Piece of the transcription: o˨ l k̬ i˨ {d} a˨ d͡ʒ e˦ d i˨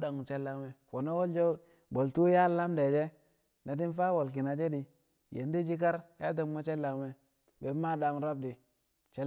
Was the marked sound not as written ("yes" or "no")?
yes